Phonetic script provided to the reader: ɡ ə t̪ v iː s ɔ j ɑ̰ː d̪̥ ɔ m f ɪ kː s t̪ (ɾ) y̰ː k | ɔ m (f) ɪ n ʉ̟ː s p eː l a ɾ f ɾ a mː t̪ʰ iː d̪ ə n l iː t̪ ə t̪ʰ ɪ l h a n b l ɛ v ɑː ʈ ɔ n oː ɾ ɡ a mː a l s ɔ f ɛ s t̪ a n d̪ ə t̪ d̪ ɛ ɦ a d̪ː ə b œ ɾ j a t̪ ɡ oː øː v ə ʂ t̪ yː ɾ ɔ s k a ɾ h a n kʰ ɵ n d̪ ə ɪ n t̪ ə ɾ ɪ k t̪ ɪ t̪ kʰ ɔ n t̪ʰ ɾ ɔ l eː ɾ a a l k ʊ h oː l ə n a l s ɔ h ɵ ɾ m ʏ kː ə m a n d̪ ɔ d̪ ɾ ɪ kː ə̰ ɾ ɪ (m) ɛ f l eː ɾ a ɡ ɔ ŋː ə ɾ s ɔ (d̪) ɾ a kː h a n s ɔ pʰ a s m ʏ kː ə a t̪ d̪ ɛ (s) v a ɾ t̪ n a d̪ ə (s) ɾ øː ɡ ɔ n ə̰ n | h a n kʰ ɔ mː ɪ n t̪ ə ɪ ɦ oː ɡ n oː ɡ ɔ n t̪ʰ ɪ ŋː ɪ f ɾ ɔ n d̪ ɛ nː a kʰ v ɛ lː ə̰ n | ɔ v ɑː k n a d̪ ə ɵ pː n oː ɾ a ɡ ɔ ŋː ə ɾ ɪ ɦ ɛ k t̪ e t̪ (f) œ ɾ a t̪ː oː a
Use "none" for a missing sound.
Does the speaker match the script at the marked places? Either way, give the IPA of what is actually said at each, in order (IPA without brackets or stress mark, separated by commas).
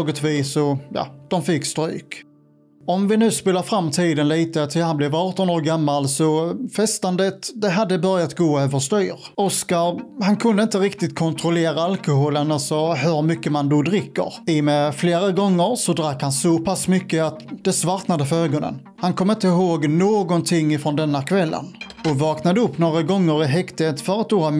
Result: ɾ, v, m, d̪, s, f, f